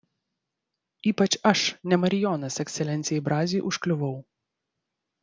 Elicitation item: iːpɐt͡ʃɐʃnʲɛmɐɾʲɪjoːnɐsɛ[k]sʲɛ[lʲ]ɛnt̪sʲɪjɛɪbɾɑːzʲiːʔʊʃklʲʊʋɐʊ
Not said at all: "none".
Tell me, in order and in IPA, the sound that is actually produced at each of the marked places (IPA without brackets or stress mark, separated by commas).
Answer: k, lʲ